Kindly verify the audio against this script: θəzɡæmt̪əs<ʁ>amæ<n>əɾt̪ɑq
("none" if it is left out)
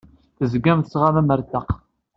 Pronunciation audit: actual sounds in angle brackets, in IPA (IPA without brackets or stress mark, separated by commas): ʁ, m